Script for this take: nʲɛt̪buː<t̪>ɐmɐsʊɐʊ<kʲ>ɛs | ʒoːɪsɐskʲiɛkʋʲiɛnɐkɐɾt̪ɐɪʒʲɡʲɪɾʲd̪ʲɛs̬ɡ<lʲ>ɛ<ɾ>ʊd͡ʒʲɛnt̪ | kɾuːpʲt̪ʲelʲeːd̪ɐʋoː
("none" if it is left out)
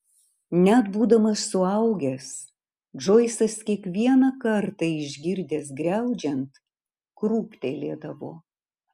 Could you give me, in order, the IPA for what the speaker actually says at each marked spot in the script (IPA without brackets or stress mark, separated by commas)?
d̪, ɡʲ, ɾʲ, none